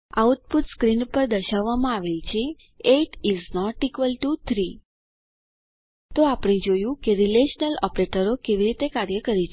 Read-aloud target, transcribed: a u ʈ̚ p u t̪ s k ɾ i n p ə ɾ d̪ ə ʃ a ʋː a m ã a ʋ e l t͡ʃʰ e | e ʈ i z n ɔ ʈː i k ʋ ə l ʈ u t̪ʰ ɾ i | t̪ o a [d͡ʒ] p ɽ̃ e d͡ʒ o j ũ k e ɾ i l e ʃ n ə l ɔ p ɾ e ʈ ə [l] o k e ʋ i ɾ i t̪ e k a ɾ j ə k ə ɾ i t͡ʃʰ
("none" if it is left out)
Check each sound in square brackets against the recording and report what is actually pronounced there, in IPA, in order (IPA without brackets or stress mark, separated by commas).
none, ɾ